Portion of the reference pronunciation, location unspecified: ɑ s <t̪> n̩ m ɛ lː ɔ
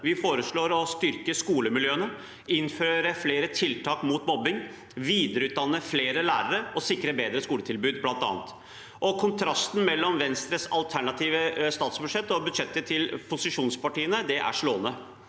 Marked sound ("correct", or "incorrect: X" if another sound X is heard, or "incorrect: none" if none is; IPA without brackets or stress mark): correct